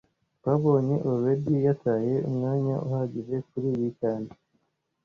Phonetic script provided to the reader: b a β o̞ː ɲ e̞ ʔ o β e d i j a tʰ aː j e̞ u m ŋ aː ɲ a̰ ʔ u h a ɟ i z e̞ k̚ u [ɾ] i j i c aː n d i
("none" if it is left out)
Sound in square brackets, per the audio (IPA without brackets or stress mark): ɾ